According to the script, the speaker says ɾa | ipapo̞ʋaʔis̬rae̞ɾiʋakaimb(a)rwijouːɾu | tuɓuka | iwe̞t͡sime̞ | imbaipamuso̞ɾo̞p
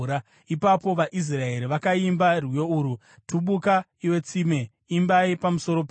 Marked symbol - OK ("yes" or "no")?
yes